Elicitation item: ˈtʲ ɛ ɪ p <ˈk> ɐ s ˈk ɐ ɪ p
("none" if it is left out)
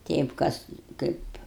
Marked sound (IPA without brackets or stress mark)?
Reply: k